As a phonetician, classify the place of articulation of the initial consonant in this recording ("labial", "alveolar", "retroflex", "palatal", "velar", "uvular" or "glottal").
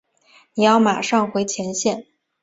alveolar